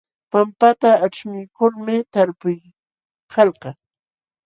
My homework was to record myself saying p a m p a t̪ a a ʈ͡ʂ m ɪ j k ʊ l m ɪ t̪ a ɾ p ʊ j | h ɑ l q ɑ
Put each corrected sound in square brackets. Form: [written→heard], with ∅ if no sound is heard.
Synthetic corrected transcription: p a m p a t̪ a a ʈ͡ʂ m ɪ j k ʊ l m ɪ t̪ a ɾ p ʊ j | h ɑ l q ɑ

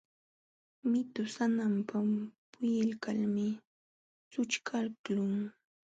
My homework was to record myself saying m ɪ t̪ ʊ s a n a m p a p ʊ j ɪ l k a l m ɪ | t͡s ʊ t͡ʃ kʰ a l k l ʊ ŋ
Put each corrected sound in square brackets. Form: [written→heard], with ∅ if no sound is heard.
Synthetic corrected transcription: m ɪ t̪ ʊ s a n a m p a p ʊ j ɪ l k a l m ɪ | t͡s ʊ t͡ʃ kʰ a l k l ʊ ŋ

